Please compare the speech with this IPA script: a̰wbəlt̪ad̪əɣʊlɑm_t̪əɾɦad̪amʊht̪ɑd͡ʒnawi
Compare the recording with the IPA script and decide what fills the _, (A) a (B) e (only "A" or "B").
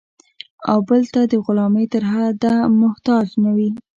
B